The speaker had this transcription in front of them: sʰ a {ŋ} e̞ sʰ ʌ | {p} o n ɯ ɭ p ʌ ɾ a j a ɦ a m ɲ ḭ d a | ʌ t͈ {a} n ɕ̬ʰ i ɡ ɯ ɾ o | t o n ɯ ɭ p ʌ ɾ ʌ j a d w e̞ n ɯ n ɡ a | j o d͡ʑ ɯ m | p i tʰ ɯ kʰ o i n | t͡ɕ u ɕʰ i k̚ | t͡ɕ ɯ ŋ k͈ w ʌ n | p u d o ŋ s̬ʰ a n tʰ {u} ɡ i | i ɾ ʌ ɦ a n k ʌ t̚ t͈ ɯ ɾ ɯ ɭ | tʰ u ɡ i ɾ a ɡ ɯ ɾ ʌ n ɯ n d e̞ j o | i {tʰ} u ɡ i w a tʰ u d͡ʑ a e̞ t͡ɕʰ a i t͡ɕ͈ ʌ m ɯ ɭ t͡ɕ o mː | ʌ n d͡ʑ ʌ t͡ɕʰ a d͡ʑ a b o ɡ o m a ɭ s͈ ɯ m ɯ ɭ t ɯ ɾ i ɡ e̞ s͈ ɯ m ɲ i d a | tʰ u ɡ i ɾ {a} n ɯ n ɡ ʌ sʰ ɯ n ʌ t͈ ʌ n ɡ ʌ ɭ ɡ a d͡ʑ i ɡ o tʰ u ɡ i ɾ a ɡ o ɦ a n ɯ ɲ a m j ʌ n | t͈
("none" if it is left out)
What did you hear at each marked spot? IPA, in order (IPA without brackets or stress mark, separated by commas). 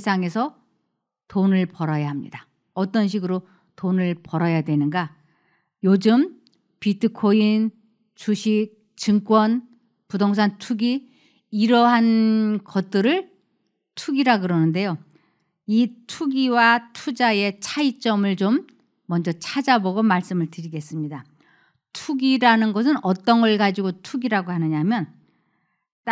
ŋ, t, ʌ, u, tʰ, a